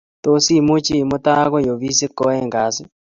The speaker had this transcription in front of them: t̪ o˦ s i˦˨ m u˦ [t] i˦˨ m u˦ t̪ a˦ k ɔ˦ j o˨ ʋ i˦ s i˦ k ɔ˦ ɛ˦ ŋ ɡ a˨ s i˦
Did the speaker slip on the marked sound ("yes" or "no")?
yes